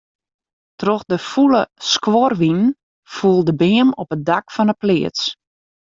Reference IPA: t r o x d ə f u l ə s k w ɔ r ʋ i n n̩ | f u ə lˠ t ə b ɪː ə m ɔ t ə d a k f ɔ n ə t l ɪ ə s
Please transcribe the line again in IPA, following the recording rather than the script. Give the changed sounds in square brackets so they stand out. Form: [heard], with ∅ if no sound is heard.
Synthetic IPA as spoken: t r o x d ə f u l ə s k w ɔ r ʋ i n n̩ | f u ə lˠ [d] ə b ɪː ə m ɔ [p] ə d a k f ɔ n ə [p] l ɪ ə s